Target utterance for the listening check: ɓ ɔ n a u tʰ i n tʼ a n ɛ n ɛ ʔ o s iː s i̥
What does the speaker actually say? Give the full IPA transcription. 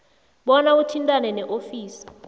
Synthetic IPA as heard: ɓ ɔ n a u tʰ i n tʼ a n ɛ n ɛ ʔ o f iː s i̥